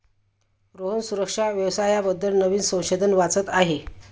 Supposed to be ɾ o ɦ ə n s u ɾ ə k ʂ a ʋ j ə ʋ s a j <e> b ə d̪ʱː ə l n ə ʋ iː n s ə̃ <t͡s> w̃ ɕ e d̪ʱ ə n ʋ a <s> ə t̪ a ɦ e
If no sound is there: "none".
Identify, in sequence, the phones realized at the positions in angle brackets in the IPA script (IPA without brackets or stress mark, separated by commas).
a, none, t͡s